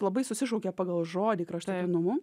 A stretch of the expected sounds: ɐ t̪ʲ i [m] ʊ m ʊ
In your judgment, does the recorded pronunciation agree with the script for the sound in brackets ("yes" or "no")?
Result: no